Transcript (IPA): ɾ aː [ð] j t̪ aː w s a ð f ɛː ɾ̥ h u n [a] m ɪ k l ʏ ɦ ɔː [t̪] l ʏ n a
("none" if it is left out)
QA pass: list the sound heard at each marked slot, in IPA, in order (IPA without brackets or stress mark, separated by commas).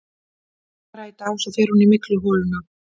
none, i, none